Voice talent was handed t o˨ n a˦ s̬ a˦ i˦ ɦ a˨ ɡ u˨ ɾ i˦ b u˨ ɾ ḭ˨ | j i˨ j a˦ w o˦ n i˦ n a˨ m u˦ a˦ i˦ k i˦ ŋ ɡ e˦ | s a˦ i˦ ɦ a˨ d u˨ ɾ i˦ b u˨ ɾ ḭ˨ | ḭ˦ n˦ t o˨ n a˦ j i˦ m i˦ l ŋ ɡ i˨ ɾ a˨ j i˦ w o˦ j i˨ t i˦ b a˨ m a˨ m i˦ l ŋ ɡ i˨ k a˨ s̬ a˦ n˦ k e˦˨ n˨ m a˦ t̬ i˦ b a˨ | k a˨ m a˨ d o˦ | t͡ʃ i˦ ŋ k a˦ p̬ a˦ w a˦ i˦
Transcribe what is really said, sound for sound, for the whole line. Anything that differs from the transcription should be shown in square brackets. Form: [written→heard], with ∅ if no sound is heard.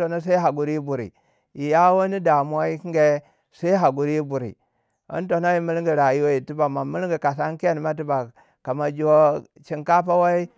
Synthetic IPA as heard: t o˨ n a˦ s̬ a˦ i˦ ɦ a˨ ɡ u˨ ɾ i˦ b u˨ ɾ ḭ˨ | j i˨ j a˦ w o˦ n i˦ [n→d] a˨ m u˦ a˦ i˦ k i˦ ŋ ɡ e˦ | s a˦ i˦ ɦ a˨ [d→ɡ] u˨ ɾ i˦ b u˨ ɾ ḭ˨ | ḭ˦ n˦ t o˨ n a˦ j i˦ m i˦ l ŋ ɡ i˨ ɾ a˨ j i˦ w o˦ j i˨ t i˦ b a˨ m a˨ m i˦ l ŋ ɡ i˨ k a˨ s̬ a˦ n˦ k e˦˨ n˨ m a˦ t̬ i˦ b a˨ | k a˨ m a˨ [d→d͡ʒ] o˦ | t͡ʃ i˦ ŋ k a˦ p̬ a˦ w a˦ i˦